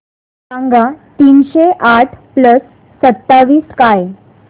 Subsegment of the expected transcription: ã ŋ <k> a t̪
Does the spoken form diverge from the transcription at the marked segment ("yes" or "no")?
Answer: yes